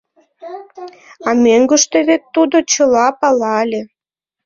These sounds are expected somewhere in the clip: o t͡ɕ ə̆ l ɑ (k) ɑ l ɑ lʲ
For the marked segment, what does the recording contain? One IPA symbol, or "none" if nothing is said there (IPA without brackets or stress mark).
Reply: p